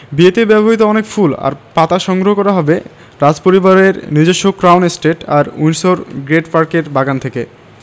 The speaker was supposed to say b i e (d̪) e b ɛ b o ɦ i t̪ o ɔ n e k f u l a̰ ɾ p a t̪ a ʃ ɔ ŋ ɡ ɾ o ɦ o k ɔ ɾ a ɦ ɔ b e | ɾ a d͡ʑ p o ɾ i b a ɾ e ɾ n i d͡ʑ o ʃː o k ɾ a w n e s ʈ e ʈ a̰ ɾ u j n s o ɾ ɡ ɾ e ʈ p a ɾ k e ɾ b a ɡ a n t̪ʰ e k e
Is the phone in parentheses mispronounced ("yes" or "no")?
yes